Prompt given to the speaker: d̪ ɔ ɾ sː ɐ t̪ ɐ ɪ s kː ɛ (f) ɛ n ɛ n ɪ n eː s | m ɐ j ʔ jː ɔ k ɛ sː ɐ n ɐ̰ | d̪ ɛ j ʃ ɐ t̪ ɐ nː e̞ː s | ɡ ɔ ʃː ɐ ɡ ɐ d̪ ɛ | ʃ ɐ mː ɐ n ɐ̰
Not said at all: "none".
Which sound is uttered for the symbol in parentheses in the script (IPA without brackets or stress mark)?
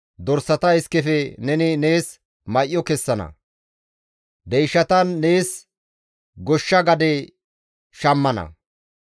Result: f